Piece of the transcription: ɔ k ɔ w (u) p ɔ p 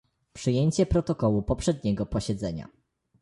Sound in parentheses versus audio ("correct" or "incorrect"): correct